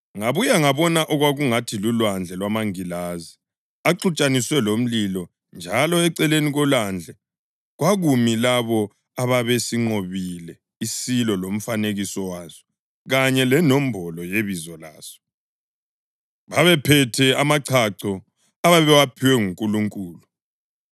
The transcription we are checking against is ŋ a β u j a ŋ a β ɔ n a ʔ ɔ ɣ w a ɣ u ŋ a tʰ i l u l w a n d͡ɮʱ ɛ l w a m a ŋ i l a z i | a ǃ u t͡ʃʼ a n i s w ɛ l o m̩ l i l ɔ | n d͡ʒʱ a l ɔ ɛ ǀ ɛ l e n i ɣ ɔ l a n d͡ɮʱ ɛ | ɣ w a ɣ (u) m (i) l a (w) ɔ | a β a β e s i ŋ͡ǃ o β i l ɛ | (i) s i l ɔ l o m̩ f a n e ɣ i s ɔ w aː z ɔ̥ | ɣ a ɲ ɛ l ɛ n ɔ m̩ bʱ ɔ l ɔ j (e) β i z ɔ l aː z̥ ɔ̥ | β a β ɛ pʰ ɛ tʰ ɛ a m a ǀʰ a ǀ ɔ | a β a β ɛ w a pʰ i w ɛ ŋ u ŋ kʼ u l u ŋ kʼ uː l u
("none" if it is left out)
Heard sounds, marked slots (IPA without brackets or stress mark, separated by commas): u, i, β, i, e